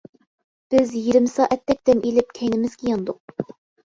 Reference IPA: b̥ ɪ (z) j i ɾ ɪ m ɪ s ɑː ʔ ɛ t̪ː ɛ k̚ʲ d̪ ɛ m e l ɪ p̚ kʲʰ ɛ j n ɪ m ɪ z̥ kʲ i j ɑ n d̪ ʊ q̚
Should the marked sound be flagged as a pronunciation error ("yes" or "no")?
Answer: no